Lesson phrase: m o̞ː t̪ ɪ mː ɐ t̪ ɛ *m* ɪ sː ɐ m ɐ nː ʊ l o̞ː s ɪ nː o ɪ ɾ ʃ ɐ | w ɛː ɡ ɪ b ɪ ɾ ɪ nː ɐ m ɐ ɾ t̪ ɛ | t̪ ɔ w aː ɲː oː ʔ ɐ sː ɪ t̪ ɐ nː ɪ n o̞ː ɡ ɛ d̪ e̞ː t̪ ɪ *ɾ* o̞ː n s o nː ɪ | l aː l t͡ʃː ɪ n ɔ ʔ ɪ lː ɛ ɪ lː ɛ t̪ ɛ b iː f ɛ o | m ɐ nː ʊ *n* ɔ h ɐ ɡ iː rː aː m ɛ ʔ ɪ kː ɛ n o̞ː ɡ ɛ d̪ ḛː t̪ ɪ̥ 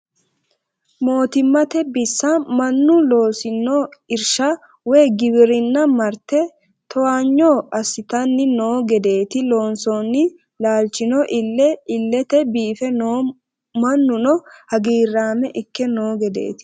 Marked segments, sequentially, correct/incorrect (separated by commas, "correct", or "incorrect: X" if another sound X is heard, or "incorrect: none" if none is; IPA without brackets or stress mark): incorrect: b, incorrect: l, correct